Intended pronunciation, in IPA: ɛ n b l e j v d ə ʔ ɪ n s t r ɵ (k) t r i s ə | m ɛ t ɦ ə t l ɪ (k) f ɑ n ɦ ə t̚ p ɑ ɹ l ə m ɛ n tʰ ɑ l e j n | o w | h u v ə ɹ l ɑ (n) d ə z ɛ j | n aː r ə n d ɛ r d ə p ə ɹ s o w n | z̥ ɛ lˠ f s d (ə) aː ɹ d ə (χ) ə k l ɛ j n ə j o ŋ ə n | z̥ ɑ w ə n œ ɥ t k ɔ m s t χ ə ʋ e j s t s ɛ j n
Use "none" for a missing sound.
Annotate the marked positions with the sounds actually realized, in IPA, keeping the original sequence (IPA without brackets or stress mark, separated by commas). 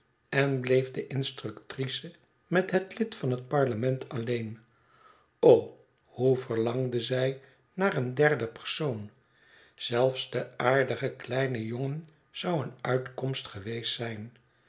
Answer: k, t, ŋ, ə, χ